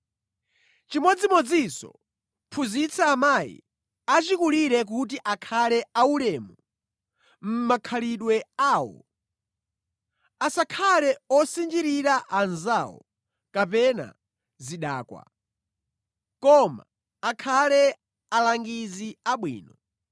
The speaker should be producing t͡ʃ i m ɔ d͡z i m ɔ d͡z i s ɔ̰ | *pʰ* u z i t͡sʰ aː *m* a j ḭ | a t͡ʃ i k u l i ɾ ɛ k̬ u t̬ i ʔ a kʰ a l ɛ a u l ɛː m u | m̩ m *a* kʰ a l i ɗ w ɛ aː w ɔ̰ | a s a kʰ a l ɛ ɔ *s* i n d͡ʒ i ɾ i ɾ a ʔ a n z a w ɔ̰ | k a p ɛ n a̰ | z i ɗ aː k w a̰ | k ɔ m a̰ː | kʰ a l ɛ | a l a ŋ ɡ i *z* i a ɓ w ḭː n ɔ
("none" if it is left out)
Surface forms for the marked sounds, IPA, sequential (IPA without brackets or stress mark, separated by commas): pʰ, m, a, s, z